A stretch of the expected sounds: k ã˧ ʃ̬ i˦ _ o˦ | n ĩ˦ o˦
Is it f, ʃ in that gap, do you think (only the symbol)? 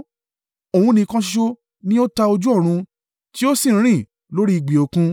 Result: ʃ